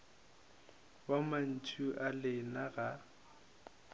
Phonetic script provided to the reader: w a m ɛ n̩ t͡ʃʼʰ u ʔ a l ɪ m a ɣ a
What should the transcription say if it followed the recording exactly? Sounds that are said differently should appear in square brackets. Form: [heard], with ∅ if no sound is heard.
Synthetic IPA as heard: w a m [a] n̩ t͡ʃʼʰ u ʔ a l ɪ [n] a ɣ a